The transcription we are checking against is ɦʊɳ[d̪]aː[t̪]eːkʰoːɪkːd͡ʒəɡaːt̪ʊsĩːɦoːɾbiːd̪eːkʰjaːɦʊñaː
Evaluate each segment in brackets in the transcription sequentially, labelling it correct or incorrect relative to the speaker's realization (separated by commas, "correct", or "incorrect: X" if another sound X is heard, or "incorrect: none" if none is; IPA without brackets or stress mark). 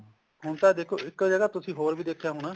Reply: incorrect: t̪, incorrect: d̪